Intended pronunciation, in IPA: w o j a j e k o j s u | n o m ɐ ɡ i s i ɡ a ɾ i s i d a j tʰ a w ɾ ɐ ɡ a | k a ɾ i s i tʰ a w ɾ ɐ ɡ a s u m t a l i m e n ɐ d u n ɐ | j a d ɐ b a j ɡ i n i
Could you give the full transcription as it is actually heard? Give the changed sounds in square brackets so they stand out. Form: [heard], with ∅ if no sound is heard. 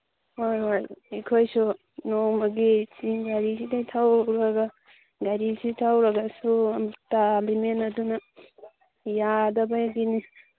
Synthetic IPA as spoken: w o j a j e [kʰ] o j s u | n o m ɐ ɡ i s i ɡ a ɾ i s i d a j tʰ a w ɾ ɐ ɡ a | [ɡ] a ɾ i s i tʰ a w ɾ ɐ ɡ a s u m t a l i m e n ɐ d u n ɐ | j a d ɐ b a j ɡ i n i